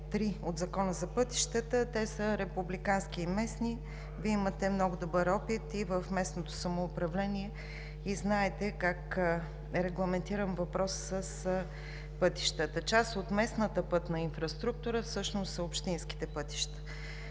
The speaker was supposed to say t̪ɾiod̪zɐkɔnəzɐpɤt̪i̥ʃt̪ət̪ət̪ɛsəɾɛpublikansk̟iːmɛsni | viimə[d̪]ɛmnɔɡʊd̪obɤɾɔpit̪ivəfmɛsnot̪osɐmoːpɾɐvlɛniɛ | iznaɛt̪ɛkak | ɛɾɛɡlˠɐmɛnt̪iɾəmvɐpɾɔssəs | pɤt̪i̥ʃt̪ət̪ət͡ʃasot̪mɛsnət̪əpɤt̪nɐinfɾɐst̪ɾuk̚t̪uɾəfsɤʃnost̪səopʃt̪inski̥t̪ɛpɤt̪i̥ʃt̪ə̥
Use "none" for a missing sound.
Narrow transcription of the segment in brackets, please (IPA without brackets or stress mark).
t̪